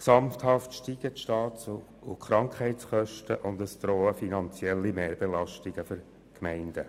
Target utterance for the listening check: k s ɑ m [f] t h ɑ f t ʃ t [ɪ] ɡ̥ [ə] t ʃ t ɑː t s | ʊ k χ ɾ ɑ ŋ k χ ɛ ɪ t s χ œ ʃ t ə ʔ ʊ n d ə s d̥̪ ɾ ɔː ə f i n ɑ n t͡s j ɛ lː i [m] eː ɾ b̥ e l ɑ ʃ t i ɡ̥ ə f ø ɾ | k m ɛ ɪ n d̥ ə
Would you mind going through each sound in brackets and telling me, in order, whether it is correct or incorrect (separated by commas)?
correct, incorrect, correct, correct